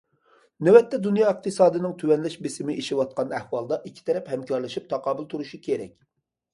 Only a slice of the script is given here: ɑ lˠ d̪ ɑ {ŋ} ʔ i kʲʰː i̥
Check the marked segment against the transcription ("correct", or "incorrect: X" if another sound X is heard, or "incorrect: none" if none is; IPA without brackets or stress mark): incorrect: none